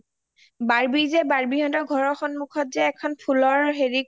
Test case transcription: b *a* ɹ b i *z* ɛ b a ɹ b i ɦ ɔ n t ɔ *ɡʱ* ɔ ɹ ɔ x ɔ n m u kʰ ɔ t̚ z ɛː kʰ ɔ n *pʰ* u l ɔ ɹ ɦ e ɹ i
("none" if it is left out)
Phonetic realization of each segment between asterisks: a, z, ɡʱ, pʰ

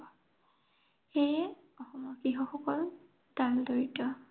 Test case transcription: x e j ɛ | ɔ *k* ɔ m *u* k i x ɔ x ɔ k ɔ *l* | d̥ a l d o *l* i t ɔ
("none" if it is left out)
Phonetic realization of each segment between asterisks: x, ɔ, l, ɹ

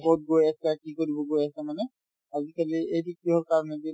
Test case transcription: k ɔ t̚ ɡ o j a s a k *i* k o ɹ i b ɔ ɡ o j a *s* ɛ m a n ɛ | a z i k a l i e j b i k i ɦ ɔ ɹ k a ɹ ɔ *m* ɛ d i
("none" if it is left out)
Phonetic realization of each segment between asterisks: i, s, n

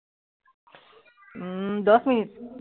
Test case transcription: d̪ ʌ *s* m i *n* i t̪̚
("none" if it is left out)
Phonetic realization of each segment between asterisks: s, n

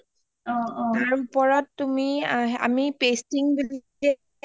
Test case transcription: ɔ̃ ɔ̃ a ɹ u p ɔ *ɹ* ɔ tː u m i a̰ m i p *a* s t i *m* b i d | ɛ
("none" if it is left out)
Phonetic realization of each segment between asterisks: ɹ, e, ŋ

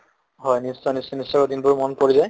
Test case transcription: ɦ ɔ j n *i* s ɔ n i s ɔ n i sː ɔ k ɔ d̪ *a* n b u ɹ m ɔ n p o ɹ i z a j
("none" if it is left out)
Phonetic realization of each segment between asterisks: i, i

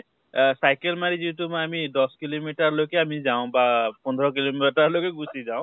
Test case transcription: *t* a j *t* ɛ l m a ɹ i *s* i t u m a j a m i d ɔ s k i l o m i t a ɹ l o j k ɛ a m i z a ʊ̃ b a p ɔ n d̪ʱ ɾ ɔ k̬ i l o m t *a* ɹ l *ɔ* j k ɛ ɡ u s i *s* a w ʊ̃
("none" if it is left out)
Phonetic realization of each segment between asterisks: s, k, z, a, o, z

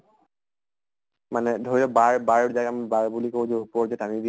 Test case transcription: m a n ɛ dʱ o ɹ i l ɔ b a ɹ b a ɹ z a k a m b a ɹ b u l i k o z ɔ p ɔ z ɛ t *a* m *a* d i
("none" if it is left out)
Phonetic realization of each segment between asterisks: a, i

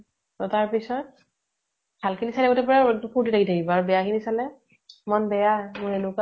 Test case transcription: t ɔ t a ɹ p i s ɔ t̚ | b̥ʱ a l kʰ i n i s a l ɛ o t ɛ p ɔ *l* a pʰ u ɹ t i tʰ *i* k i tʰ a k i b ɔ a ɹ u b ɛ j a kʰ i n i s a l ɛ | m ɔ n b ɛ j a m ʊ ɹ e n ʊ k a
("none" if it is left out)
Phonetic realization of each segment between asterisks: ɹ, a

